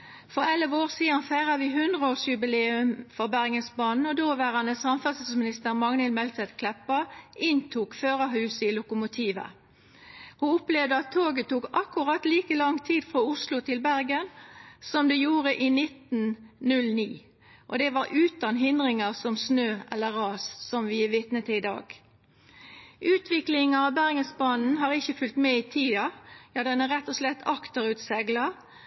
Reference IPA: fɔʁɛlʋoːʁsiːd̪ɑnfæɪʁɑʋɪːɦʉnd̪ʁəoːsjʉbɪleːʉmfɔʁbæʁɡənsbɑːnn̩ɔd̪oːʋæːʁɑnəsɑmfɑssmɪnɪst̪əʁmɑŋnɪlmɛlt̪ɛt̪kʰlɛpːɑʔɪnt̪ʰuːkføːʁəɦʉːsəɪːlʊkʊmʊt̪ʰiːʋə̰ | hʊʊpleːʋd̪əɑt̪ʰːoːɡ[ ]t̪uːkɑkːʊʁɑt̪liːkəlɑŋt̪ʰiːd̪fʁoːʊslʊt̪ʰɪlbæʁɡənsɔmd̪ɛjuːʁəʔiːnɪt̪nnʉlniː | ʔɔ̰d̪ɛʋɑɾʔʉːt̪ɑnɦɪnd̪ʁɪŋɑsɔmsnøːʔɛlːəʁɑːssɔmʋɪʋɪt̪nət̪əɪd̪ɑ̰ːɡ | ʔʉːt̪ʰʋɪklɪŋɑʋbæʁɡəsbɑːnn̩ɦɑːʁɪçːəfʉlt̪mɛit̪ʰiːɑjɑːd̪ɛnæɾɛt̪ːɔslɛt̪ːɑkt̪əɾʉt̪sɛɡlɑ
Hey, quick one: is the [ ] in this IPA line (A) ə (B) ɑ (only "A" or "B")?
A